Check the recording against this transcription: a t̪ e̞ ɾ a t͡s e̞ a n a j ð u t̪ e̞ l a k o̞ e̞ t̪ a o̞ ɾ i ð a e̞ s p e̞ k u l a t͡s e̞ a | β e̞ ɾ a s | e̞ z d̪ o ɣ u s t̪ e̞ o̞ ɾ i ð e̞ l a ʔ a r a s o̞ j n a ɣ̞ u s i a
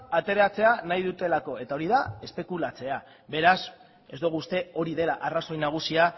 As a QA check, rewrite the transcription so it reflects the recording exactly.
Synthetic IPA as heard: a t̪ e̞ ɾ a t͡s e̞ a n a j ð u t̪ e̞ l a k o̞ e̞ t̪ a o̞ ɾ i ð a e̞ s p e̞ k u l a t͡s e̞ a | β e̞ ɾ a s | e̞ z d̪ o ɣ u s t̪ e̞ o̞ ɾ i ð e̞ l a ʔ a r a s o̞ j n a ɣ̞ u s i a